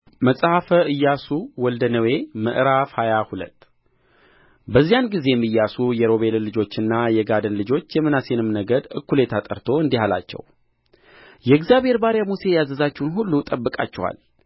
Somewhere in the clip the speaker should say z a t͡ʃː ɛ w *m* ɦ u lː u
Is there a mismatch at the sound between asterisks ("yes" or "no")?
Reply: yes